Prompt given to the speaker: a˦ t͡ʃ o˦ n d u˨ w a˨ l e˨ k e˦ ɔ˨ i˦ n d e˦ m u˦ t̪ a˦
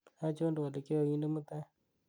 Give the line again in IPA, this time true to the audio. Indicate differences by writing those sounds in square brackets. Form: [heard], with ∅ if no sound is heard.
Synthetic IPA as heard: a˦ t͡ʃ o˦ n d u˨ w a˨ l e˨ k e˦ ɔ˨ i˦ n d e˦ m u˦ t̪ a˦